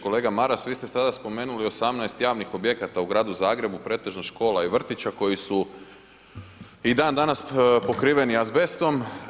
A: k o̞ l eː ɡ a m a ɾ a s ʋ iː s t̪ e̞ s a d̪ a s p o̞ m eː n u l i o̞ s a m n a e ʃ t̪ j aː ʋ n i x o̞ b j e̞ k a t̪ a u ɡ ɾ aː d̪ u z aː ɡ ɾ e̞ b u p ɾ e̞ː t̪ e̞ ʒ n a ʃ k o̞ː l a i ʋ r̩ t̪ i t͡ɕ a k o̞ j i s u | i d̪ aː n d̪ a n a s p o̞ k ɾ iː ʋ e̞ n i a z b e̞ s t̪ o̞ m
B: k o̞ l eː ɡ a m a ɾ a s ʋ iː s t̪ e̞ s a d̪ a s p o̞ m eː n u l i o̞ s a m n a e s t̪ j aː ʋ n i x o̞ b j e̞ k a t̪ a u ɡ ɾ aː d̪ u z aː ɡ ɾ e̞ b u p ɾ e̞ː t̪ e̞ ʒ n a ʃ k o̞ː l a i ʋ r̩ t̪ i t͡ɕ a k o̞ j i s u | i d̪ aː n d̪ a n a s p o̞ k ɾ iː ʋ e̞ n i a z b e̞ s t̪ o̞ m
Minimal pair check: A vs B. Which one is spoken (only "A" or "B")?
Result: B